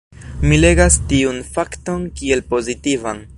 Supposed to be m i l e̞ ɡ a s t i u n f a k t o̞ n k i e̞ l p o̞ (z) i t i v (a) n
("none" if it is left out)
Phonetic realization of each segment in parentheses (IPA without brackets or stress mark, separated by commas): z, a